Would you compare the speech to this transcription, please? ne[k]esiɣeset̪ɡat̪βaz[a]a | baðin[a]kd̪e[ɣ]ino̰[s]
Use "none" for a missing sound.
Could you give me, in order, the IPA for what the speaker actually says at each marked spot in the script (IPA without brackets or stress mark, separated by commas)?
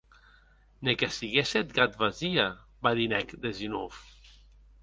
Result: k, i, ɛ, z, f